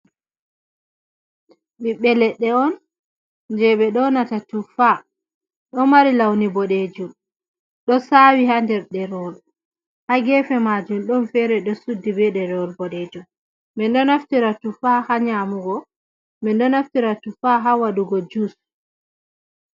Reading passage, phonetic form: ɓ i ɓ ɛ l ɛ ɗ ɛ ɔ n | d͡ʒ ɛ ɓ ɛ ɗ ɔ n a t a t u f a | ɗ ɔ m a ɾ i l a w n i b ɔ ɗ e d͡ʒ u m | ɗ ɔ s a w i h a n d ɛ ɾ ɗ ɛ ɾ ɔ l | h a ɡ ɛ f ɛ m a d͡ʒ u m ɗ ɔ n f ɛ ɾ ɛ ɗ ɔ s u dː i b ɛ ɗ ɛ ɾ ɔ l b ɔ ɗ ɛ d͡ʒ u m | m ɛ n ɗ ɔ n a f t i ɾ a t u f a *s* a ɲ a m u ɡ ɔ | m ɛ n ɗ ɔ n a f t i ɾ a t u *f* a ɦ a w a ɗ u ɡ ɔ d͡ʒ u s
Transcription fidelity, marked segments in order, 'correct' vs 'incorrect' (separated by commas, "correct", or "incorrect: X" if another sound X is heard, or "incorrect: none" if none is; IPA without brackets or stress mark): incorrect: h, correct